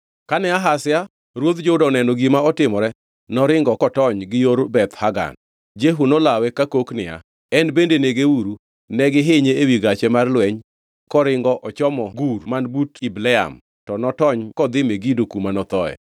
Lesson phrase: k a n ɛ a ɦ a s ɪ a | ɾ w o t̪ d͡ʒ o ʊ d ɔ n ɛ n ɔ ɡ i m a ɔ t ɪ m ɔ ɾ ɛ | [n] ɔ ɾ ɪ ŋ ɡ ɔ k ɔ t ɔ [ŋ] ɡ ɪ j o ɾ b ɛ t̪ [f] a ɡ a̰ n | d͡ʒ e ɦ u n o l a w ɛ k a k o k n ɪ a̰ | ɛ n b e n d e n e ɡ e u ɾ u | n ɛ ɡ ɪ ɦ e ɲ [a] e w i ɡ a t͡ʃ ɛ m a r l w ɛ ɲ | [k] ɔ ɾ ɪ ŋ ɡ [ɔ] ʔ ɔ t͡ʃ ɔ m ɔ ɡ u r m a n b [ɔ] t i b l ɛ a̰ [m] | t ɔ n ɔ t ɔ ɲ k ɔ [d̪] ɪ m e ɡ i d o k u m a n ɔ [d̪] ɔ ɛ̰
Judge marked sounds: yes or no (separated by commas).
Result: yes, no, no, no, yes, yes, no, yes, yes, no